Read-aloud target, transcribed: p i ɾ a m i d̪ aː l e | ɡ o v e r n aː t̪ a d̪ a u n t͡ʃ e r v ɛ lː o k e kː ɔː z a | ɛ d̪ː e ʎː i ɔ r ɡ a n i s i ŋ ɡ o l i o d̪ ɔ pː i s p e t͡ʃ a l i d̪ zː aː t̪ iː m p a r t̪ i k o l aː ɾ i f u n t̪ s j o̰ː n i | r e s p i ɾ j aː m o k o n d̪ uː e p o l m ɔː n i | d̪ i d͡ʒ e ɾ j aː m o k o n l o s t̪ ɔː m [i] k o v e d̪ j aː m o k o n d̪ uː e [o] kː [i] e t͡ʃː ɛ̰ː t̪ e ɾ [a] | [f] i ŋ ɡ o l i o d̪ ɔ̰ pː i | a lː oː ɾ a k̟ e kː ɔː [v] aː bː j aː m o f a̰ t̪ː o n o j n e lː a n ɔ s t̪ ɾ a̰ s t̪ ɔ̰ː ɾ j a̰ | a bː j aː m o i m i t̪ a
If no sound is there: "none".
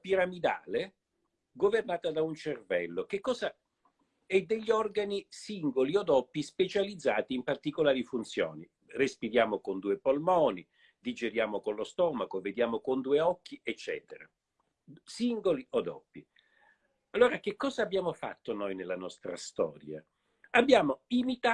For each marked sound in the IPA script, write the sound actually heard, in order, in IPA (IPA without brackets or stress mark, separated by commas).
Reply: a, ɔ, i, a, s, z